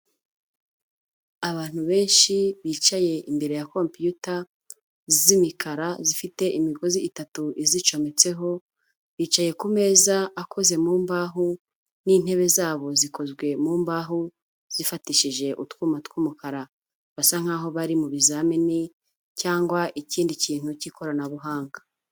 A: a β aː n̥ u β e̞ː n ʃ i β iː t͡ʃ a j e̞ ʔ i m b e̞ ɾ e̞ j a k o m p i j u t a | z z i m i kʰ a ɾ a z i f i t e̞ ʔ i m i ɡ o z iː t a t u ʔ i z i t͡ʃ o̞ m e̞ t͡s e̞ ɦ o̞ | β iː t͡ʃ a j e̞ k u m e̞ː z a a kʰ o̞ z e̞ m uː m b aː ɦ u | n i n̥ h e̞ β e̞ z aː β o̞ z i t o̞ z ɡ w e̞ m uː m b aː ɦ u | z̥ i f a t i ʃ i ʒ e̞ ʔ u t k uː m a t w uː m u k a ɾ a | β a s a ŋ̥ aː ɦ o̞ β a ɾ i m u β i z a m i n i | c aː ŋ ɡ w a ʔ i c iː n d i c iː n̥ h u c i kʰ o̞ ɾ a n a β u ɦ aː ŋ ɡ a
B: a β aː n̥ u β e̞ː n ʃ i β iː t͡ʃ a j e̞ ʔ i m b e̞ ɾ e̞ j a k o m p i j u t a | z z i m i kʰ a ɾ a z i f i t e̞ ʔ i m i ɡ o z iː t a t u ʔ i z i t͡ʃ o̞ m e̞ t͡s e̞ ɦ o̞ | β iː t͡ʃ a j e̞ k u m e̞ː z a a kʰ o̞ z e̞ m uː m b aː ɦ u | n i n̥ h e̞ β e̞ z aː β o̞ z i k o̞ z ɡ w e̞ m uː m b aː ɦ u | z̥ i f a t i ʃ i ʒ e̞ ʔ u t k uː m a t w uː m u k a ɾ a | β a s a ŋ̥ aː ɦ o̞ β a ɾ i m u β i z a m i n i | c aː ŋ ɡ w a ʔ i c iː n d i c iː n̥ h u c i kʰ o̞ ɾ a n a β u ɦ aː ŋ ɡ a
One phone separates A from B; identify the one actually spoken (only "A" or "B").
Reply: B